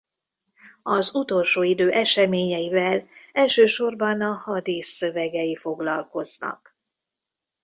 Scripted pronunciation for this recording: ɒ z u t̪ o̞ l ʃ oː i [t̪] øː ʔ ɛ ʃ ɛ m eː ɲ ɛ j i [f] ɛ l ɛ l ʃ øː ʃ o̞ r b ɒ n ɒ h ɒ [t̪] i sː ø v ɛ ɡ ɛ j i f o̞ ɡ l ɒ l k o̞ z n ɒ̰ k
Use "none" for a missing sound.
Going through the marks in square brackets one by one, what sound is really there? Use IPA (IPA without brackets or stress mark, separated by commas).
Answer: d̪, v, d̪